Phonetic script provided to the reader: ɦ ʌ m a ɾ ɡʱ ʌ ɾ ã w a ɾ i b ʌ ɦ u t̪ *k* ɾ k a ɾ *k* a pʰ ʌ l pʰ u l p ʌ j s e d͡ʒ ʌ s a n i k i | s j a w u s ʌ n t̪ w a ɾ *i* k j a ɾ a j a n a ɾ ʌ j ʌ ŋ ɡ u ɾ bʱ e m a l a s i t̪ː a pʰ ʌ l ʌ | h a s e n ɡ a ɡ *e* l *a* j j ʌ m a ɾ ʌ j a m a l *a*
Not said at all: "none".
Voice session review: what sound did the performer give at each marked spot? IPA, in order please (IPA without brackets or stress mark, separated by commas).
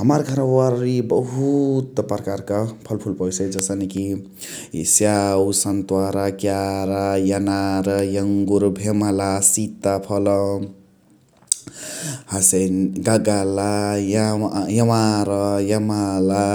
p, k, a, a, a, a